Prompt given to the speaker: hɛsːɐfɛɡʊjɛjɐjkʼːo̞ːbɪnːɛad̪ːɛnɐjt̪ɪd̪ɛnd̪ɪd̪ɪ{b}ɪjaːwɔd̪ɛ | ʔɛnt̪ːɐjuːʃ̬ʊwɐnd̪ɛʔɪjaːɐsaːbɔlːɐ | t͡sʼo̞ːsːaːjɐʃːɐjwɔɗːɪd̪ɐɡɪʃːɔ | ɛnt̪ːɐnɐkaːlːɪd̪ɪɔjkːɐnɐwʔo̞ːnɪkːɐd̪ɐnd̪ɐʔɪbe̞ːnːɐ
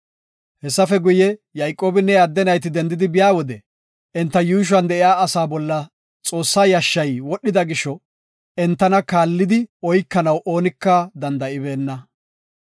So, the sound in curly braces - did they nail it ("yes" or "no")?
yes